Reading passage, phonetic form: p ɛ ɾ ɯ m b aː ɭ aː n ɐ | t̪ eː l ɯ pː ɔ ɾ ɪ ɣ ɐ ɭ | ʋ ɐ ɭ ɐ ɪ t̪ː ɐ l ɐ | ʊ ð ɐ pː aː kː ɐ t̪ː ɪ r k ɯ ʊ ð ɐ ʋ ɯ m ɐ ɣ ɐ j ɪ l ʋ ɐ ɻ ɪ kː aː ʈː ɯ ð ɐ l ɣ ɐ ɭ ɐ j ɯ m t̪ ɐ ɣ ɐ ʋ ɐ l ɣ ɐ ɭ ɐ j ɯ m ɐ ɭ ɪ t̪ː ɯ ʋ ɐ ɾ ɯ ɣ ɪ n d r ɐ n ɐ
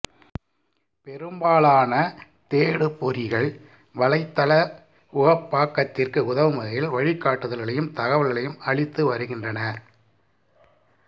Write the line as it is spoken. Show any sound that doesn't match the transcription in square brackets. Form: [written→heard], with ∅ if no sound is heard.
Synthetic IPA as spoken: p ɛ ɾ ɯ m b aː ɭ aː n ɐ | t̪ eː [l→ɽ] ɯ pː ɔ ɾ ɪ ɣ ɐ ɭ | ʋ ɐ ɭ ɐ ɪ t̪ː ɐ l ɐ | ʊ [ð→ɣ] ɐ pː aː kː ɐ t̪ː ɪ r k ɯ ʊ ð ɐ ʋ ɯ m ɐ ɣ ɐ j ɪ l ʋ ɐ ɻ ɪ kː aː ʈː ɯ ð ɐ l ɣ ɐ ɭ ɐ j ɯ m t̪ ɐ ɣ ɐ ʋ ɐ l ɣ ɐ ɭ ɐ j ɯ m ɐ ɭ ɪ t̪ː ɯ ʋ ɐ ɾ ɯ ɣ ɪ n d r ɐ n ɐ